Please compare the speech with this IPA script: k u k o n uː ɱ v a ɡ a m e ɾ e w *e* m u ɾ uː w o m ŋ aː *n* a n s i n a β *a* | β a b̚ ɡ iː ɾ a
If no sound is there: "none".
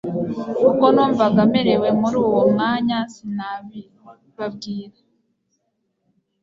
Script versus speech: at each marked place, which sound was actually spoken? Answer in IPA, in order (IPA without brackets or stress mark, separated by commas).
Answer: e, ɲ, i